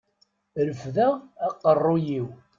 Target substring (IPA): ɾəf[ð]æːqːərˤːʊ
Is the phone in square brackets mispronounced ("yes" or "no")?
no